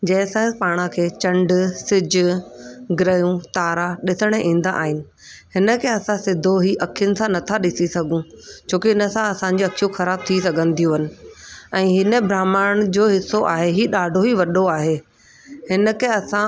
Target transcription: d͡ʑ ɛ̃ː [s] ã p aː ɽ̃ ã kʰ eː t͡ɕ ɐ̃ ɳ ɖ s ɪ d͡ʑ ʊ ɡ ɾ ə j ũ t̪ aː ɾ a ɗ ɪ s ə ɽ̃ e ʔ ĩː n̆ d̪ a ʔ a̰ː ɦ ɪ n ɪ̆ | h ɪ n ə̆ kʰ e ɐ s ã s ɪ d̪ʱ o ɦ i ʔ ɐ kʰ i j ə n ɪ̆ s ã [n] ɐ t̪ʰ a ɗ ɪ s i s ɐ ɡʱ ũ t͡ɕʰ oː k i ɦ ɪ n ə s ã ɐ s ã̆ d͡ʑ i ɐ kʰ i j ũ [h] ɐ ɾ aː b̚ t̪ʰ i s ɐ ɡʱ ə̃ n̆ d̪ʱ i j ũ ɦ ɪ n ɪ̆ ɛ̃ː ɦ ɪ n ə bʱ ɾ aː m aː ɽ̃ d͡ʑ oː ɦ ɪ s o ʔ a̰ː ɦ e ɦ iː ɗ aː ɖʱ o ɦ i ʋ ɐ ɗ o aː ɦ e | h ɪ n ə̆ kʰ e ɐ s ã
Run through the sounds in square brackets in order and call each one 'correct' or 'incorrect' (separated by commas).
correct, correct, incorrect